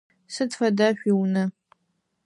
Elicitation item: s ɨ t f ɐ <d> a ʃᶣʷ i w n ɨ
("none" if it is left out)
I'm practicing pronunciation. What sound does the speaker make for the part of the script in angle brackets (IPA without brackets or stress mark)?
d